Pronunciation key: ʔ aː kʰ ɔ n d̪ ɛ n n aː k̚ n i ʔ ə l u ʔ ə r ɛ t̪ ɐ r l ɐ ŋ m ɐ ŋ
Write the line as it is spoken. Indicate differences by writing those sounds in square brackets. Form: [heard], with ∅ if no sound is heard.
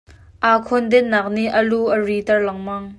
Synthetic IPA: ʔ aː kʰ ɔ n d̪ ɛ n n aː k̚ n i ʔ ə l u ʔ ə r [i] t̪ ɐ r l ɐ ŋ m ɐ ŋ